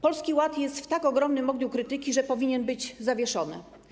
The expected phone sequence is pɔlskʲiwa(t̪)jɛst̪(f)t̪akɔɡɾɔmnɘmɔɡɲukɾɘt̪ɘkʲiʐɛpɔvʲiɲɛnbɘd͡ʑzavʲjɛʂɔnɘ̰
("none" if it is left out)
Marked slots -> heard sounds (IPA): t̪, f

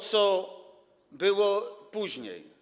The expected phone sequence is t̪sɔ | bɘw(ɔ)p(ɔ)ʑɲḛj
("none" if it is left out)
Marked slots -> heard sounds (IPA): ɔ, u

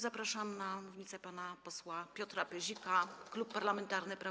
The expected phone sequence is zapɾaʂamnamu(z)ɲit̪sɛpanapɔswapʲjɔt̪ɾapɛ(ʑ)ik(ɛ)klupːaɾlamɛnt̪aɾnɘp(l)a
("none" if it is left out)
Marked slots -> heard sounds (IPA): v, ʑ, a, ɾ

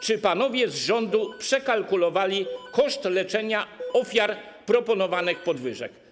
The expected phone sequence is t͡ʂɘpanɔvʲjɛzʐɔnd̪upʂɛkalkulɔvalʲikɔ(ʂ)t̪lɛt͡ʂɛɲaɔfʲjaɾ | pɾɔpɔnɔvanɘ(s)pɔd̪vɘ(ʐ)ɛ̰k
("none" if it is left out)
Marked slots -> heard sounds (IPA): ʂ, x, ʐ

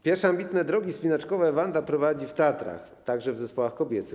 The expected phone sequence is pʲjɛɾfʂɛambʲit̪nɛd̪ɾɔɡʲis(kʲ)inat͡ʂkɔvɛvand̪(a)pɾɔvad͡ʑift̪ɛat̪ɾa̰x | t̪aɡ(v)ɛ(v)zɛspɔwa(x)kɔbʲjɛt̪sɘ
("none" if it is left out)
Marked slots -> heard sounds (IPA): pʲ, a, ʐ, v, x

